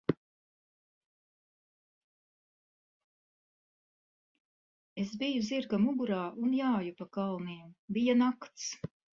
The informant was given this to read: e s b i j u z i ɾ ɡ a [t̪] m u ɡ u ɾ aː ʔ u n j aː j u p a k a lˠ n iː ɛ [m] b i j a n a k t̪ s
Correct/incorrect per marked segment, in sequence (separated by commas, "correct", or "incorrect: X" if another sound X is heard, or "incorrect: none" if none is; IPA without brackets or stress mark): incorrect: none, correct